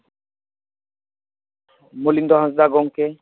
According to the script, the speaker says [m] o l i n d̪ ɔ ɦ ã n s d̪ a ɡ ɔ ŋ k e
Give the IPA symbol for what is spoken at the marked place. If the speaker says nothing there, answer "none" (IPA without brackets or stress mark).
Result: m